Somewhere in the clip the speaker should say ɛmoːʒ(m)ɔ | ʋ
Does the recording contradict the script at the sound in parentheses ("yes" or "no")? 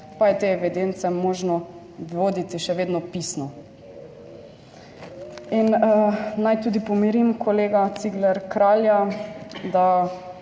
yes